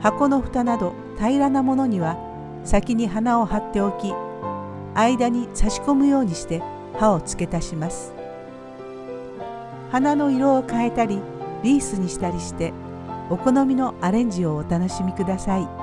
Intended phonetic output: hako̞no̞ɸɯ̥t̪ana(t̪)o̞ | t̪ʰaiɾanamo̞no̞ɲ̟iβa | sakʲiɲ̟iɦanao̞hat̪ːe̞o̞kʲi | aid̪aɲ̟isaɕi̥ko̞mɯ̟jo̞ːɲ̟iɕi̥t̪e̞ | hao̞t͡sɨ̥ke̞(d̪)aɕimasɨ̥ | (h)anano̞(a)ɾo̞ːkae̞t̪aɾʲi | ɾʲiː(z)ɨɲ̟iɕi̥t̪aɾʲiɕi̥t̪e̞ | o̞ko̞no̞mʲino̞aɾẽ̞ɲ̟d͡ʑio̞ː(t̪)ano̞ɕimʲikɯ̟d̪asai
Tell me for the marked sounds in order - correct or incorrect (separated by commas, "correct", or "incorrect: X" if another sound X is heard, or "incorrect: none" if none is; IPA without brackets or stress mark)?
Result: incorrect: d̪, incorrect: t̪, correct, incorrect: i, incorrect: s, correct